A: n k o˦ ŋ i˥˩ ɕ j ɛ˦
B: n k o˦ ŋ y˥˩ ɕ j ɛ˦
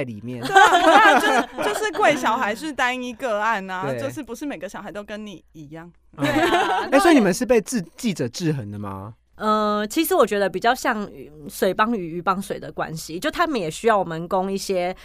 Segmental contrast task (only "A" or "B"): A